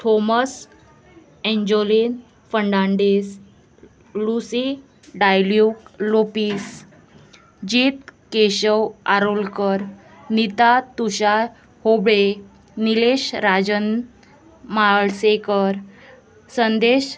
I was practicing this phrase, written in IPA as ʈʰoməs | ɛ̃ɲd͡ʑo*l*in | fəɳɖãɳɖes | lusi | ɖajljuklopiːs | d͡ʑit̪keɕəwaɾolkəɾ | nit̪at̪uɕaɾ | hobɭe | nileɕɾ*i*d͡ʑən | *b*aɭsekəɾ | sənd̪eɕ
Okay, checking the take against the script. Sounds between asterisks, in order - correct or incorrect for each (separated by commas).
correct, incorrect, incorrect